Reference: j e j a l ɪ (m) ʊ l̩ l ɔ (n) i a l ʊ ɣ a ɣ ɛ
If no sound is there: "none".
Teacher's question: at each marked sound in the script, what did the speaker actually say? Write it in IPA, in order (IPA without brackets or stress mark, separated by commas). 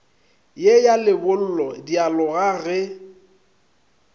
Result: b, d